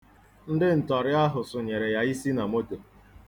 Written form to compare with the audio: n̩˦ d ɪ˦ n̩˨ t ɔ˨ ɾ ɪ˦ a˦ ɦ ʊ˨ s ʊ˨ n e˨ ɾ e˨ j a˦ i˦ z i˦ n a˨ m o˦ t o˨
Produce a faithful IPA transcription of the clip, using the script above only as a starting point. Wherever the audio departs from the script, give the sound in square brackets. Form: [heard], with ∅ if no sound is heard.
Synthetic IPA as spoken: n̩˦ d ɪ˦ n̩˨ t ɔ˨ ɾ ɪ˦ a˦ ɦ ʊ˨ s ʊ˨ [ɲ] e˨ ɾ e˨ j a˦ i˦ [s] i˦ n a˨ m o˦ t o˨

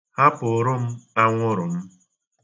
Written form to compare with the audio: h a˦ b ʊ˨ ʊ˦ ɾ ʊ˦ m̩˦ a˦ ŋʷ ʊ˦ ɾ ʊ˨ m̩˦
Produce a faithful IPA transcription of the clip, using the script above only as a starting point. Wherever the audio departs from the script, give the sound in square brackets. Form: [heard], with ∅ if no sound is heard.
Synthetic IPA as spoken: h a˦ [p] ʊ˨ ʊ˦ ɾ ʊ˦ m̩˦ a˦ ŋʷ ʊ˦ ɾ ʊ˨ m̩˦

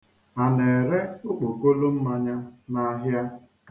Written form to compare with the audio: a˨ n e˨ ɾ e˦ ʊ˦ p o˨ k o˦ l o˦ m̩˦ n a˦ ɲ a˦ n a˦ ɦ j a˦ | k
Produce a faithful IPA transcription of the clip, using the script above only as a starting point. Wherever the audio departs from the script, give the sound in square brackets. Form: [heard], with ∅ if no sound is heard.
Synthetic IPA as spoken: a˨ n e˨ ɾ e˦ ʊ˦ [k͡p] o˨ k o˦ l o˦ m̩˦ [m] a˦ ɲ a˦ n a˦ ɦ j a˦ | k

